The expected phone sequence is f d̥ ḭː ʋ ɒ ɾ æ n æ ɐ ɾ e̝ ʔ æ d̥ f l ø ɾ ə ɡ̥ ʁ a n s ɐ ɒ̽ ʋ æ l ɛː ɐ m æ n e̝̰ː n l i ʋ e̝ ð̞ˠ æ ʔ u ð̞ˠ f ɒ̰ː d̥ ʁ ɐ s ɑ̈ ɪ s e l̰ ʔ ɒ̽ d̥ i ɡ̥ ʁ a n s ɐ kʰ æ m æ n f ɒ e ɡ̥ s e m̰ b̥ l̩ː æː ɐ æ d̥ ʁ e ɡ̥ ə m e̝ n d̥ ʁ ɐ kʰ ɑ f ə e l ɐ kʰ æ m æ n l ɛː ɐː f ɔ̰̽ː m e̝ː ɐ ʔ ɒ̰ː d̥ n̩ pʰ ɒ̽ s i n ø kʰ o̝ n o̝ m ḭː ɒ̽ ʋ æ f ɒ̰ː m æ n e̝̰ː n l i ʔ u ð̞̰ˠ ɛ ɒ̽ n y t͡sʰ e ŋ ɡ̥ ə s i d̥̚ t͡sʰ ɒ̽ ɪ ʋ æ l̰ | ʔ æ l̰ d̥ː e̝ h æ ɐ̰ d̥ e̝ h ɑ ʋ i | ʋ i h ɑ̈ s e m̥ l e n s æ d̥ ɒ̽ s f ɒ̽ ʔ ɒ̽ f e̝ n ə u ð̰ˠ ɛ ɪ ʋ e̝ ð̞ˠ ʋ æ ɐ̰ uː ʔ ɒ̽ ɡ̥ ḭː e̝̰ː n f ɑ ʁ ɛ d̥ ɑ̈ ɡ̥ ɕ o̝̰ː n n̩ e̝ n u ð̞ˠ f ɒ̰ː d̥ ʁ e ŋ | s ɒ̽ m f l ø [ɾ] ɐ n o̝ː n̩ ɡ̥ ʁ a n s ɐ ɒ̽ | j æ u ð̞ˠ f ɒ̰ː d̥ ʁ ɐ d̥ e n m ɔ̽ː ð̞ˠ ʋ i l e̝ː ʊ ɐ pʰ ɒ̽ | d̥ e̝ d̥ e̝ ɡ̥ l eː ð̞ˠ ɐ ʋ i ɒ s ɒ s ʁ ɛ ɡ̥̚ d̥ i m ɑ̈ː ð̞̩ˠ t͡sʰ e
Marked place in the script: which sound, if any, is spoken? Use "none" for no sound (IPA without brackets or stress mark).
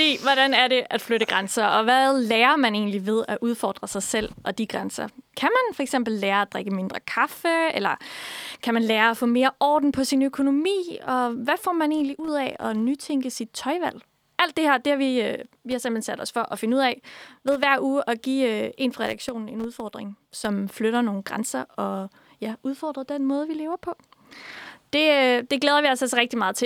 ɾ